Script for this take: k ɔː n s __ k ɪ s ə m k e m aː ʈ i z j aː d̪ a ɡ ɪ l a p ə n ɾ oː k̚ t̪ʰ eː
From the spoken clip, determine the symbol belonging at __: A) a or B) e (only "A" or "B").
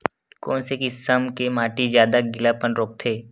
B